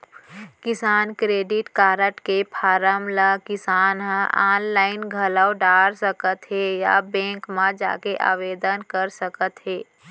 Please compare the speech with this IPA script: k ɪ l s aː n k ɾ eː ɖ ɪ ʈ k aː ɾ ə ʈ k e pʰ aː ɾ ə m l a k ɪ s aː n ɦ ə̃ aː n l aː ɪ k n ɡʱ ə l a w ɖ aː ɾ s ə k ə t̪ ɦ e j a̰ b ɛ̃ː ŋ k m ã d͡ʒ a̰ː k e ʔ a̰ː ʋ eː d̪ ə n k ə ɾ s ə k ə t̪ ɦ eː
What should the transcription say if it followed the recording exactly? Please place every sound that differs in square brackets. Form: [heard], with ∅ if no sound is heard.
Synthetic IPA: k ɪ [∅] s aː n k ɾ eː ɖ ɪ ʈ k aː ɾ ə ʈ k e pʰ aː ɾ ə m l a k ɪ s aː n ɦ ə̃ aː n l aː ɪ [∅] n ɡʱ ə l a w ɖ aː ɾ s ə k ə t̪ ɦ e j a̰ b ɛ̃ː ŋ k m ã d͡ʒ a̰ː k e ʔ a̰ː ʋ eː d̪ ə n k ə ɾ s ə k ə t̪ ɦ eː